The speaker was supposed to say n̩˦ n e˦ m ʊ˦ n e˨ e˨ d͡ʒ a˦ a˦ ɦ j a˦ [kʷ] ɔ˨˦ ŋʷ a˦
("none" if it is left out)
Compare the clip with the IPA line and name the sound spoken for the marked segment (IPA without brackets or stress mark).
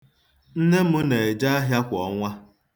kʷ